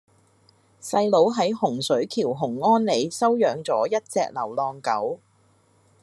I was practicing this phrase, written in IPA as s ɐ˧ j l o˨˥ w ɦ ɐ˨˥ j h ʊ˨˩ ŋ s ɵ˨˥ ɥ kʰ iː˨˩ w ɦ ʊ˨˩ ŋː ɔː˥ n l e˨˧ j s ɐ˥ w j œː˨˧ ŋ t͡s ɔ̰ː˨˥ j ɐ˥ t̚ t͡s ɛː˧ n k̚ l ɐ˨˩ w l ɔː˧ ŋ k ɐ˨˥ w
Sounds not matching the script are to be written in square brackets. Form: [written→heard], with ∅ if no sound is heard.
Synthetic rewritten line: s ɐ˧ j l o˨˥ w ɦ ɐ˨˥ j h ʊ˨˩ ŋ s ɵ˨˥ ɥ kʰ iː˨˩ w ɦ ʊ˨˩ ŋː ɔː˥ n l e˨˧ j s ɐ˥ w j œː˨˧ ŋ t͡s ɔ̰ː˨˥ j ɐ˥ t̚ t͡s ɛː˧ [n→∅] k̚ l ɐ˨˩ w l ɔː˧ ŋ k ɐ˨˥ w